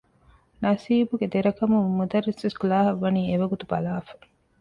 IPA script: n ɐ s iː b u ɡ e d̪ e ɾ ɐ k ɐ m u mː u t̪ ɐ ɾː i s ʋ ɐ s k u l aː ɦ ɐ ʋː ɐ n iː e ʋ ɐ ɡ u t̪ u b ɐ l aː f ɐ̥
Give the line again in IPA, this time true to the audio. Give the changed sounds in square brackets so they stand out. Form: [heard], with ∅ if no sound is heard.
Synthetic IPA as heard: n ɐ s iː b u ɡ e d̪ e ɾ ɐ k ɐ m u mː u [d̪] ɐ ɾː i s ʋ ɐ s k u l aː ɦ ɐ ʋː ɐ n iː e ʋ ɐ ɡ u t̪ u b ɐ l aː f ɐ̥